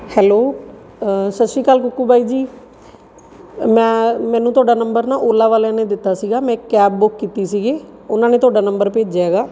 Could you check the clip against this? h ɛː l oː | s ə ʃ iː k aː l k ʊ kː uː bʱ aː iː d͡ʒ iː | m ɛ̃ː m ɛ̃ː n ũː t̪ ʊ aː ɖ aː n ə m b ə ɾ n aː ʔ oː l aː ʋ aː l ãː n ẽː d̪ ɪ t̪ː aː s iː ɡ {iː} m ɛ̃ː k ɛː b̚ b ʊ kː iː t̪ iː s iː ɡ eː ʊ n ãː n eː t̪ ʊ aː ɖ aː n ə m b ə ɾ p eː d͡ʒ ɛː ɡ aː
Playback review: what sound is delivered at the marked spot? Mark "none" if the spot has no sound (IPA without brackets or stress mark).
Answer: aː